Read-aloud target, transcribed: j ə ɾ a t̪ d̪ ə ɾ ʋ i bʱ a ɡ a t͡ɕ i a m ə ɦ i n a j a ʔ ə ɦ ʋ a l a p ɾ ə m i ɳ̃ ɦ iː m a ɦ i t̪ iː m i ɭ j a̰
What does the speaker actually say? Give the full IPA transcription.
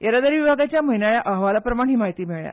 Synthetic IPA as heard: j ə ɾ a d̪ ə ɾ ʋ i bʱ a ɡ a t͡ɕ j a m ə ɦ i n a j a ʔ ə ɦ ʋ a l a p ɾ ə m a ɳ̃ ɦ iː m a ɦ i t̪ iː m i ɭ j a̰